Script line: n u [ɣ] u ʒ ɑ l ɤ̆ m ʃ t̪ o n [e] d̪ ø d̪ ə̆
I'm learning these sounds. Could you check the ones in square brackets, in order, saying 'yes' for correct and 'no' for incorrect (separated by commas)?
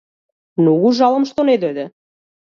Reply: yes, yes